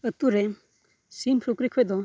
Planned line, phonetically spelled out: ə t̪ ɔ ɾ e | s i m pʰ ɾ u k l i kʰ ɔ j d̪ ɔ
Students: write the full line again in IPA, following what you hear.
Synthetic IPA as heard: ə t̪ u ɾ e | s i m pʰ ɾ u k ɾ i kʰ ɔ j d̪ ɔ